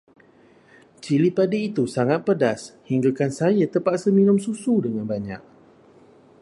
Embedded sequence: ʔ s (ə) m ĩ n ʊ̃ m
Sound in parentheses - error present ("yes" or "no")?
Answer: no